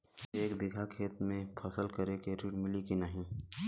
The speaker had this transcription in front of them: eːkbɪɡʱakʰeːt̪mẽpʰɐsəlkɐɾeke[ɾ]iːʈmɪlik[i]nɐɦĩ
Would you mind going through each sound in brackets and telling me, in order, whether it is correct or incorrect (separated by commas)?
correct, correct